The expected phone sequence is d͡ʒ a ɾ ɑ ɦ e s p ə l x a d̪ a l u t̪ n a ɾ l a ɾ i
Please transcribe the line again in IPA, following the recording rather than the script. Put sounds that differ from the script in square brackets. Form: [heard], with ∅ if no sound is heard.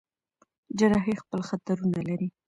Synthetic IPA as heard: d͡ʒ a ɾ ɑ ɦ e [x] p ə l x a [t̪] a [ɾ] u [∅] n a [∅] l a ɾ i